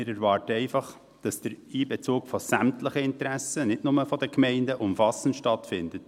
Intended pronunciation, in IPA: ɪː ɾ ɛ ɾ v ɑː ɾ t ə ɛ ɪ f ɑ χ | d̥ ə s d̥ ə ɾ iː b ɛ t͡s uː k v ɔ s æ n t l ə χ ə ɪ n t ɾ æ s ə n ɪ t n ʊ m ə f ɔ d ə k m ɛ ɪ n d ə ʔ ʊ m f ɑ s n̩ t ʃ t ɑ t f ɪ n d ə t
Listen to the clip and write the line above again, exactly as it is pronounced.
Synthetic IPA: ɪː ɾ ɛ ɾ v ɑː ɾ t ə ɛ ɪ f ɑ χ | d̥ ɑ s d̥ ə ɾ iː b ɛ t͡s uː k f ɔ s æ m t l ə χ ə ɪ n t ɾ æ s ə n ɪ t n ʊ m ə f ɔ d ə k m ɛ ɪ n d ə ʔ ʊ m f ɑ s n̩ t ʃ t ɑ t f ɪ n d ə t

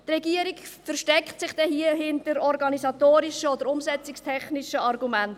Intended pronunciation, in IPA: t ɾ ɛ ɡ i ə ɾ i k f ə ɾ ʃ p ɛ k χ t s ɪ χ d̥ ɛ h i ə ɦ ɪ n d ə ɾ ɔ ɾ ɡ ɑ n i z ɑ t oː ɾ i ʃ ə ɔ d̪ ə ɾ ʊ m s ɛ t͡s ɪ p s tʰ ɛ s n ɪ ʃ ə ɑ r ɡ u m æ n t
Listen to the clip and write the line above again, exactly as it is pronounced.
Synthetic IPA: t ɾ ɛ ɡ i ə ɾ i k f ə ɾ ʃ t ɛ k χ t s ɪ χ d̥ ɛ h i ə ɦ ɪ n t ə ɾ ɔ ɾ ɡ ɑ n i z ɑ t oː ɾ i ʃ ə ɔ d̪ ə ɾ ʊ m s ɛ t͡s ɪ k s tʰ ɛ χ n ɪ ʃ ə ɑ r ɡ u m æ n t

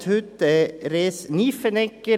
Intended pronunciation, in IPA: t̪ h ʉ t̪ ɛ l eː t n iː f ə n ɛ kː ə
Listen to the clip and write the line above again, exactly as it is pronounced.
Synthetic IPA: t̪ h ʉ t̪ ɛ ɾ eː s n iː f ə n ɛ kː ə

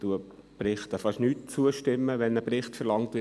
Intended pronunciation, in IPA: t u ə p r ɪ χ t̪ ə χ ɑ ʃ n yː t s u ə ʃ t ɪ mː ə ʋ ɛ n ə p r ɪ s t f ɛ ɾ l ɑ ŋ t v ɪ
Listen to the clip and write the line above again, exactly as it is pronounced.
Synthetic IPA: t u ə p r ɪ χ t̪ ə f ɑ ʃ n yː t t͡s u ə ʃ t ɪ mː ə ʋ ɛ n ə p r ɪ χ t f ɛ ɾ l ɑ ŋ t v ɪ

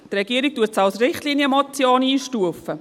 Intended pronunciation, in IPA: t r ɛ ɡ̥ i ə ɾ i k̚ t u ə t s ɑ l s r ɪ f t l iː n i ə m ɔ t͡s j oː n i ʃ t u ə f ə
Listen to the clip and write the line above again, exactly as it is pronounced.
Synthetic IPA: t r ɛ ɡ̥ i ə ɾ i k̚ t u ə t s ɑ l s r ɪ χ t l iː n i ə m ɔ t͡s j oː n iː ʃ t u ə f ə

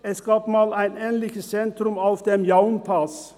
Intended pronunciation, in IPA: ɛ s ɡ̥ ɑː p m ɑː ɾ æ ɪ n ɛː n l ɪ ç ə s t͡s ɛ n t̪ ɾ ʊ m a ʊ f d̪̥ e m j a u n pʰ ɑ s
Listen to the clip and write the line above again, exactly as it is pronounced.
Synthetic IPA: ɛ s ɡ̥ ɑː p m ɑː l æ ɪ n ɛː n l ɪ ç ə s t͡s ɛ n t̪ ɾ ʊ m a ʊ f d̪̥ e m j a ʊ n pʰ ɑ s

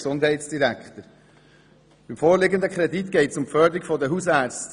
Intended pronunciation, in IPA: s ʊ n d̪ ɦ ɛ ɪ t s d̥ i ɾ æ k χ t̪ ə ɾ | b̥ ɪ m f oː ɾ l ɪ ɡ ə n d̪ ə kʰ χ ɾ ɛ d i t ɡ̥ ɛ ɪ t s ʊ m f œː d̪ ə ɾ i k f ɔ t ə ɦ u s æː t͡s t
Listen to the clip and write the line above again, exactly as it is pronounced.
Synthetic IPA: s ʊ n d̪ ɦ ɛ ɪ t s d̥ i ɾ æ k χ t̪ ə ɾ | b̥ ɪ m f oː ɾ l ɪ ɡ ə n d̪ ə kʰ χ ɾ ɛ d i t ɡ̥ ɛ ɪ t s ʊ m f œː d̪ ə ɾ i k f ɔ d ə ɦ u s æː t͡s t

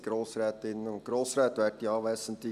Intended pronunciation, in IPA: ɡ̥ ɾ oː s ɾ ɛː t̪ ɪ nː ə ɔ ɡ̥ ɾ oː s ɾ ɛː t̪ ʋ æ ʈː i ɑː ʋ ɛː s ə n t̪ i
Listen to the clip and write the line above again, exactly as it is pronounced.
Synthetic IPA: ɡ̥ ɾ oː s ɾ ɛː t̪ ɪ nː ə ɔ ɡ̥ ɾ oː s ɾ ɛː t̪ ʋ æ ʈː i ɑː ʋ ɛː s ə n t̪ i

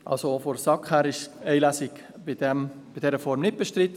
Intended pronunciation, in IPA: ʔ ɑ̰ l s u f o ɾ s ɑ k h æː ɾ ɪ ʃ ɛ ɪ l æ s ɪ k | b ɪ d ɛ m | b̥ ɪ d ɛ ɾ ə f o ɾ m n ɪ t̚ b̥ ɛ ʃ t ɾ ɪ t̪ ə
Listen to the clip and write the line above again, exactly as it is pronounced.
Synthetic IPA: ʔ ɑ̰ l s o f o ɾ s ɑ k h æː ɾ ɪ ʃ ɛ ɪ l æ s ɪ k | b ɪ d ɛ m | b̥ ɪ d ɛ ɾ ə f ɔ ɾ m n ɪ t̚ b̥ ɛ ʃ t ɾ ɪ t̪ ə

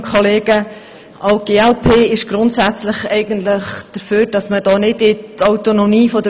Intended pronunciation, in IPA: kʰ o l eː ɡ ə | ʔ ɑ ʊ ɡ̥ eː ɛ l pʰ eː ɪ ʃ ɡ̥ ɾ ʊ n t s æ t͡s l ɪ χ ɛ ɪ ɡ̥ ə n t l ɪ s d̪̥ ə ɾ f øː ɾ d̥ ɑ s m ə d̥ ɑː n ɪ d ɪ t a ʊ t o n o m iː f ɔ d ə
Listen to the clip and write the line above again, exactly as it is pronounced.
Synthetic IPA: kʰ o l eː ɡ ə | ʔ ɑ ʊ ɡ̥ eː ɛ l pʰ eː ɪ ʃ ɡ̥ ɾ ʊ n t s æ t͡s l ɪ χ ɛ ɪ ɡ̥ ə n t l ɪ χ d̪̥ ə ɾ f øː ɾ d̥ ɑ s m ə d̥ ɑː n ɪ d ɪ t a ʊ t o n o m iː f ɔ d ə

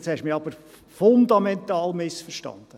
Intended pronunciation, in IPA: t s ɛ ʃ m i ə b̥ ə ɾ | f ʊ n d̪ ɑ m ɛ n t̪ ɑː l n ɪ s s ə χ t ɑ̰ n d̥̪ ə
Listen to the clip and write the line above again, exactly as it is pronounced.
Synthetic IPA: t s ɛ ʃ m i ɑ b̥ ə ɾ | f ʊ n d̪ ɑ m ɛ n t̪ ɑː l m ɪ s f ə ʃ t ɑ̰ n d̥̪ ə

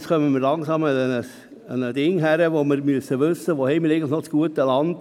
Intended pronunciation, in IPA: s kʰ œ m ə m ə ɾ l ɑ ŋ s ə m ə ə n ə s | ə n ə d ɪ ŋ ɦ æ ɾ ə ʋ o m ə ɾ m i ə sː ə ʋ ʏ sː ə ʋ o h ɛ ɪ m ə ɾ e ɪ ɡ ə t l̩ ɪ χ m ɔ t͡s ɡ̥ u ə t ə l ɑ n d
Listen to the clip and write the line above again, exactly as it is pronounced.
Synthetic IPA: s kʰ œ m ə m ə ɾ l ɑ ŋ s ɑ m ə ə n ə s | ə n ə d ɪ ŋ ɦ æ ɾ ə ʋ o m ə ɾ m y ə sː ə ʋ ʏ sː ə ʋ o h ɛ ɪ m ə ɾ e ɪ ɡ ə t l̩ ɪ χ n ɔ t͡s ɡ̥ u ə t ə l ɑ n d

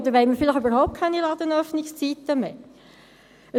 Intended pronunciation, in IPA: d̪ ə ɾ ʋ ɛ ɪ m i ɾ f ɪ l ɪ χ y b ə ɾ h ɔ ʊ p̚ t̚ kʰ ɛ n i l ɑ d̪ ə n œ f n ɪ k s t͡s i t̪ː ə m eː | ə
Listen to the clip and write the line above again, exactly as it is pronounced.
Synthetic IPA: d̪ ə ɾ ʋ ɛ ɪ m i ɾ f ɪ l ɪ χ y b ə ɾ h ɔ ʊ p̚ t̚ kʰ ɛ n i l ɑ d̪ ə n œ f n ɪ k s t͡s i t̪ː ə m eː | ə

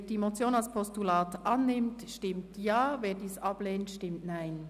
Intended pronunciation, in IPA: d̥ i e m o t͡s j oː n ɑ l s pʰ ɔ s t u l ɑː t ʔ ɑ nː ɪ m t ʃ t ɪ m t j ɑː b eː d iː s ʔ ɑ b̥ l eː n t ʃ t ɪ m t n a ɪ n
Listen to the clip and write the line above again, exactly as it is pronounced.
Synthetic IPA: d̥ i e m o t͡s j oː n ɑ l s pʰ ɔ s t u l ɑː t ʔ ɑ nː ɪ m t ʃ t ɪ m t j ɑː v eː d iː s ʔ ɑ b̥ l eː n t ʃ t ɪ m t n a ɪ n

